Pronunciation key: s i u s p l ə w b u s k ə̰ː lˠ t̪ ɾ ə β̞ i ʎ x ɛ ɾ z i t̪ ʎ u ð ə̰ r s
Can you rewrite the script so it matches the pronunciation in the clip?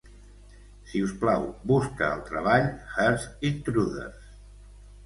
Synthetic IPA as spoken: s i u s p l a w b u s k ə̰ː lˠ t̪ ɾ ə β̞ a ʎ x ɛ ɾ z i t̪ ɾ u ð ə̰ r s